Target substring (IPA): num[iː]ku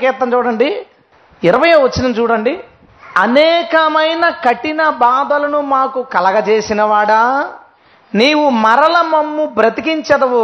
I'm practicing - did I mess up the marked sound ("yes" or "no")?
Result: yes